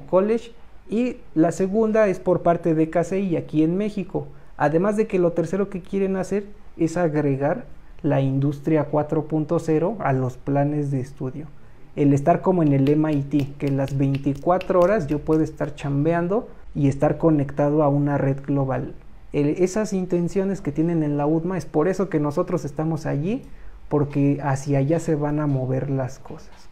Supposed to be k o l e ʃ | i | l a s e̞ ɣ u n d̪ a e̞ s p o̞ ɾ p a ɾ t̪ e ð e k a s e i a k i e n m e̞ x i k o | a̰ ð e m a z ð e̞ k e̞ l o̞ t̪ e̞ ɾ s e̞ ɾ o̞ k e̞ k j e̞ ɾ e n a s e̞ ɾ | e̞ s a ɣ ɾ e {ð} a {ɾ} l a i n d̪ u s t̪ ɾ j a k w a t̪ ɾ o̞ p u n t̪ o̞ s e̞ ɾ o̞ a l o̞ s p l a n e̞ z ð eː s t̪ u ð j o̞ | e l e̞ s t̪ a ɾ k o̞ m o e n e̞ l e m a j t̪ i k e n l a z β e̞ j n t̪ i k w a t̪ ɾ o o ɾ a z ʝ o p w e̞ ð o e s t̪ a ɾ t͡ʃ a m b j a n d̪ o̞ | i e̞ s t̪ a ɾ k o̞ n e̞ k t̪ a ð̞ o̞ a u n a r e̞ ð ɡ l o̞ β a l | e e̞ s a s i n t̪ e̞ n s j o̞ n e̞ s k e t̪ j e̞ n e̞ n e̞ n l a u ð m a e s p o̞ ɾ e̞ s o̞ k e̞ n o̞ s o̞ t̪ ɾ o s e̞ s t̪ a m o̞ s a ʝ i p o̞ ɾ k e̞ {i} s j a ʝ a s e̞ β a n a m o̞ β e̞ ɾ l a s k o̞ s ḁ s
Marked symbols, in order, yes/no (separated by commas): no, yes, no